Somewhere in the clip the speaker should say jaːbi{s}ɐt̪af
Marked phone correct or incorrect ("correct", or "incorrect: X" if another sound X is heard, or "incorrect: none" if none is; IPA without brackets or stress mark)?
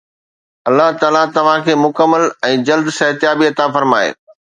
incorrect: none